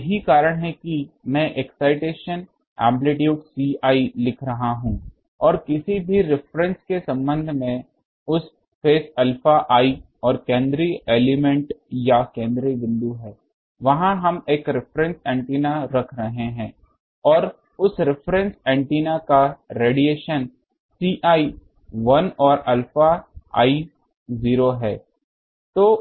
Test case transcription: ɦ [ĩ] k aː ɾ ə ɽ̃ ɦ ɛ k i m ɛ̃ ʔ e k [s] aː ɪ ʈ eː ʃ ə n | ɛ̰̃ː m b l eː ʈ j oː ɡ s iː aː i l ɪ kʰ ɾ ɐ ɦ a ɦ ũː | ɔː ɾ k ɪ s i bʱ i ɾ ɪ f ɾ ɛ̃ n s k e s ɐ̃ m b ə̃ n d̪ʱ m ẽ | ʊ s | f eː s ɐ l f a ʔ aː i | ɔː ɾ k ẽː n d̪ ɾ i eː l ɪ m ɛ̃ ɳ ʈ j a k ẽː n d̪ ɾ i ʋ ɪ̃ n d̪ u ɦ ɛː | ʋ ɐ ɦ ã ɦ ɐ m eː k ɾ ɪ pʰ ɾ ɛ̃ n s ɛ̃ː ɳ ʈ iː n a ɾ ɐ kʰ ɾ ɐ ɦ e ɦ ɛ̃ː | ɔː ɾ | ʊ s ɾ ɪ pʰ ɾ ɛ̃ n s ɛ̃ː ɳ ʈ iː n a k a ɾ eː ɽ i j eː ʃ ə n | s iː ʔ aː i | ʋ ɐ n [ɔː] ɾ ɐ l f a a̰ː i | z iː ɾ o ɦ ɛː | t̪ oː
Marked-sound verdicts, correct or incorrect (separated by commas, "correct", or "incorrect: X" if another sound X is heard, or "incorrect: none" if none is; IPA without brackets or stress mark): incorrect: i, correct, correct